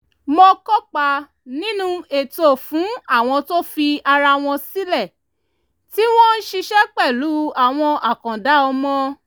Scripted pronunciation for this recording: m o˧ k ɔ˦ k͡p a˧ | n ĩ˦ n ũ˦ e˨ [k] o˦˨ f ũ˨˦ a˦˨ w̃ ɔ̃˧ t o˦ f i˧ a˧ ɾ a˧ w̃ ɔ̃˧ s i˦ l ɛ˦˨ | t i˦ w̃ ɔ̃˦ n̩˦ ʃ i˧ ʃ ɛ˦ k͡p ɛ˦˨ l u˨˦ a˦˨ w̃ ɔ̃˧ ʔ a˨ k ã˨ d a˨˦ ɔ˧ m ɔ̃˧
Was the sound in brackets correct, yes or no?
no